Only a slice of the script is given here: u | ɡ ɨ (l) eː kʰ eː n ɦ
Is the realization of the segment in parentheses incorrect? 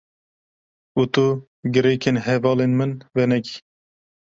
yes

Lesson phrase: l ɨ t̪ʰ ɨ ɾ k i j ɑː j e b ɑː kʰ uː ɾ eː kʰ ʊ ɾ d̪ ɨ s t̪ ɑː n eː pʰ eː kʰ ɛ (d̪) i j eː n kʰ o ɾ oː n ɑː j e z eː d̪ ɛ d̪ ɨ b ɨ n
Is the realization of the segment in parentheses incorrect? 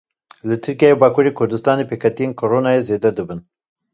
yes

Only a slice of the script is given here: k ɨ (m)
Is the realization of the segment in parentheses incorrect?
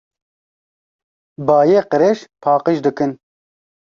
yes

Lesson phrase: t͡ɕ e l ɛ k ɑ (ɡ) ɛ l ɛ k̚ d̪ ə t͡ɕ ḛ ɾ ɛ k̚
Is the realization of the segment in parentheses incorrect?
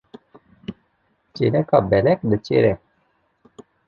yes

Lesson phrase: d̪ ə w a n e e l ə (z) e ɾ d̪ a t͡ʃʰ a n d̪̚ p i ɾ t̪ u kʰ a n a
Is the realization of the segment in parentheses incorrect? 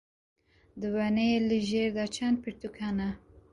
yes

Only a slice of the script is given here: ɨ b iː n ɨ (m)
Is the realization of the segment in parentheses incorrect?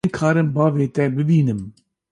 no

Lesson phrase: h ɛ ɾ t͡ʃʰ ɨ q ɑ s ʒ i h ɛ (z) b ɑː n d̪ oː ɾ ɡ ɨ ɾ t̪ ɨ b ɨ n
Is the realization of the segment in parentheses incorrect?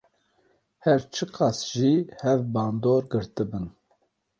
yes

